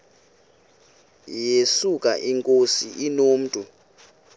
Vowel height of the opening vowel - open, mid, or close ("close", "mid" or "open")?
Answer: mid